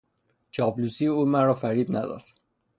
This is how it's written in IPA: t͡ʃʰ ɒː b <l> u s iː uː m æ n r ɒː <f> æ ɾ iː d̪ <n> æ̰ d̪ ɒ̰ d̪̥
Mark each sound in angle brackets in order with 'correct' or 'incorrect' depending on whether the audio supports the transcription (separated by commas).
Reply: correct, correct, correct